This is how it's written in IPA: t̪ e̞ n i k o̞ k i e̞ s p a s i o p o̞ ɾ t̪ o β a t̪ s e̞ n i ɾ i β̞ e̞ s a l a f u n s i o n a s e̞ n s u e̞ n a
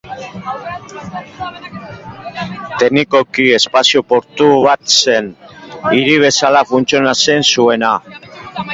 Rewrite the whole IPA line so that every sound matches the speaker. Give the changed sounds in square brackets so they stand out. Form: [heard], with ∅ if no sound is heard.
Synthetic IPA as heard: t̪ e̞ n i k o̞ k i e̞ s p a s i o p o̞ ɾ t̪ [u] β a t̪ s e̞ n i ɾ i β̞ e̞ s a l a f u n [t͡s] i o n a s e̞ n s u e̞ n a